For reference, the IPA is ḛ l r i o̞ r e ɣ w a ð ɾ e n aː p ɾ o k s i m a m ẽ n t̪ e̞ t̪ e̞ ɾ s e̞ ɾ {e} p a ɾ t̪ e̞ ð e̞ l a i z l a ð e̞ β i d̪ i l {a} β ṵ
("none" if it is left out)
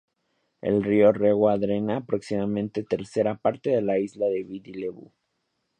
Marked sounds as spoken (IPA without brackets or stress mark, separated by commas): a, e